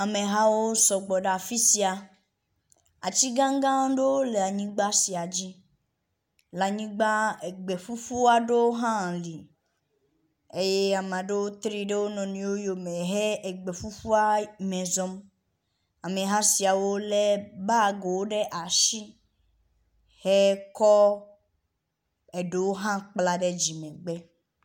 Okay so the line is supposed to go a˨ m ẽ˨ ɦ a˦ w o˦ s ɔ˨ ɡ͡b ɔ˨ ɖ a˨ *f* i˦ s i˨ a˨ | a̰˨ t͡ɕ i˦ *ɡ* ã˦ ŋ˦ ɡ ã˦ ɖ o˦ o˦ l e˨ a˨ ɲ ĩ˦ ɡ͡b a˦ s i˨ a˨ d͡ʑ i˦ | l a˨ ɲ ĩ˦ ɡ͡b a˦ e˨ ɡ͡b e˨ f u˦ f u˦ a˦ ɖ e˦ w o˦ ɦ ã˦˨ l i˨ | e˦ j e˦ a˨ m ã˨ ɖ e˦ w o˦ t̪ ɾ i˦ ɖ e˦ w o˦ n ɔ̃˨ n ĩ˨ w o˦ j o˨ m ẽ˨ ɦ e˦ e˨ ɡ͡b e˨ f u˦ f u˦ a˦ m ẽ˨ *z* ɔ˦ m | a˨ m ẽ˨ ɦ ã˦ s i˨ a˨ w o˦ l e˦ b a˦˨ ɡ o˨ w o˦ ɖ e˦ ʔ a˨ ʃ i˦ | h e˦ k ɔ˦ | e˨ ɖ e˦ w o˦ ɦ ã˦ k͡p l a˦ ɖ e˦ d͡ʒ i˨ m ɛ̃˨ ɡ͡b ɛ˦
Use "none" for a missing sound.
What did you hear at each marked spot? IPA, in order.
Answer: f, ɡ, z

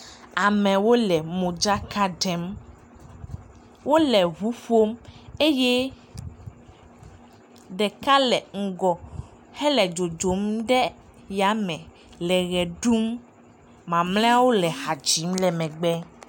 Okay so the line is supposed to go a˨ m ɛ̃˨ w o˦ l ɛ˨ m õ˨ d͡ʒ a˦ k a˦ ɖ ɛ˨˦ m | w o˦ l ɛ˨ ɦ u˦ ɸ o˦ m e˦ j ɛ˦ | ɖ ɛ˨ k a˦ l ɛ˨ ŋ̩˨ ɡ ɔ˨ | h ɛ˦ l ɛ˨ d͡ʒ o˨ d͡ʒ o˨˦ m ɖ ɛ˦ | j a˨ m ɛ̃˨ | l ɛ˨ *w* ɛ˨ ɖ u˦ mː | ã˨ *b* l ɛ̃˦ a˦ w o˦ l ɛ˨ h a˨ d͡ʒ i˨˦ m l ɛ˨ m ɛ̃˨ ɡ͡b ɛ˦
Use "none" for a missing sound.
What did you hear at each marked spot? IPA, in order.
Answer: ɣ, m

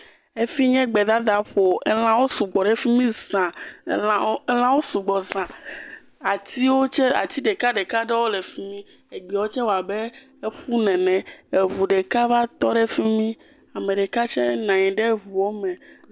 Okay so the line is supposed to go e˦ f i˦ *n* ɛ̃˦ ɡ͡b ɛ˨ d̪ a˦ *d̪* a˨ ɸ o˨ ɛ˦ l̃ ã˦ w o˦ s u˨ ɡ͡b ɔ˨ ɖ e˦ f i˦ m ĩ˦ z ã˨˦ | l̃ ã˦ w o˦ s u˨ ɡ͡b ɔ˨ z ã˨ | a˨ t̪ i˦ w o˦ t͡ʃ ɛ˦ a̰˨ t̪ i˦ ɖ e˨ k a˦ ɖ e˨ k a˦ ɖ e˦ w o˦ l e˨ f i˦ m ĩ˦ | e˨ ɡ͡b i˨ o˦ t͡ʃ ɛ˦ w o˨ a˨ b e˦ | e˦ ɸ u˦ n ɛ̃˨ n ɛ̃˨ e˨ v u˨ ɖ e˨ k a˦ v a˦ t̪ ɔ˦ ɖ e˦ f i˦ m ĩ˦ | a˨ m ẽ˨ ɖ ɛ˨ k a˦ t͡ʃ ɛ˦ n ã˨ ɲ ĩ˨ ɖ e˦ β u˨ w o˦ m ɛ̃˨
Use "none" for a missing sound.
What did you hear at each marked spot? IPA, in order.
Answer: ɲ, d̪

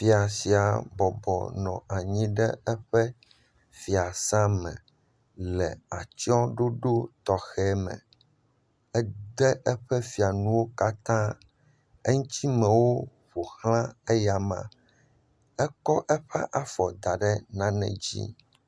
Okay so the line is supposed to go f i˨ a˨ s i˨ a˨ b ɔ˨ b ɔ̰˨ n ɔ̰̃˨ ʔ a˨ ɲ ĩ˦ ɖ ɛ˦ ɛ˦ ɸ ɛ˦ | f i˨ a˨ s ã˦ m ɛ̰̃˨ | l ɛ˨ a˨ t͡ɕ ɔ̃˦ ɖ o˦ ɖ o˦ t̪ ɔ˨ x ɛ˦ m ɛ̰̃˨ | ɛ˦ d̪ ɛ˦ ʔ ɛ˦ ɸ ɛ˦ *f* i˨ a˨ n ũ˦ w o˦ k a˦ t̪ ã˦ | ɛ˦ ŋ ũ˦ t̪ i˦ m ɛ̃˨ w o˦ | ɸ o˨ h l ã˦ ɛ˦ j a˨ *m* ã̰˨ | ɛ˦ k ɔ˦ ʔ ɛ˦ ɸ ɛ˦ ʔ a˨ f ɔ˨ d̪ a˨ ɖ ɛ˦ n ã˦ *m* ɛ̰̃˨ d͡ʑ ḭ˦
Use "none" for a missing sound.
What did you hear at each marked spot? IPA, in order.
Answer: f, m, n

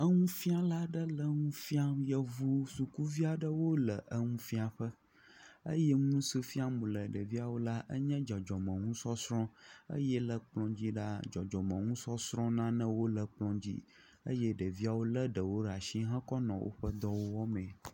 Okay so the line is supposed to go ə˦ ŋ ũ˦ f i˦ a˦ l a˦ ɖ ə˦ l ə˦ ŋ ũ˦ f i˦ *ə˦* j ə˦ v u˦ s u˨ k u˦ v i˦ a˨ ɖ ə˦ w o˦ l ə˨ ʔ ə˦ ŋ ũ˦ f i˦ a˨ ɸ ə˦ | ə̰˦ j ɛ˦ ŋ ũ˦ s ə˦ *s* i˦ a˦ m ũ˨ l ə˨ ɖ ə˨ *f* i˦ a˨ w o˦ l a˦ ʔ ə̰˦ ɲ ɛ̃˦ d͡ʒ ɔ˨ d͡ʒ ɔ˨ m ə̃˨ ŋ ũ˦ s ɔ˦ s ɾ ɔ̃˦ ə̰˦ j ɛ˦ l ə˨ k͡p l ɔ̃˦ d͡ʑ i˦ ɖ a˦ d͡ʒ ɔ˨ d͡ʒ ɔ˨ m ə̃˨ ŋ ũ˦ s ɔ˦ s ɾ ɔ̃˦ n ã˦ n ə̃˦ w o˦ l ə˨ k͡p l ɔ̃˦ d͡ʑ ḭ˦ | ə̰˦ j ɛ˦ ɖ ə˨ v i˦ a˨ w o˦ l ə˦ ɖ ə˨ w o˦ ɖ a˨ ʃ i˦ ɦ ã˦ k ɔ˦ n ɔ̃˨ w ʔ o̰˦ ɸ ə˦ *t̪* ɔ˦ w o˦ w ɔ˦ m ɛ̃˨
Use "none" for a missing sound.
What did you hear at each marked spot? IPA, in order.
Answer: a˦, f, v, d̪

